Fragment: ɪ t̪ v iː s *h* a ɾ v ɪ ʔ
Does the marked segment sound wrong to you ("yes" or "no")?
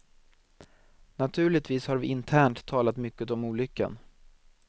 no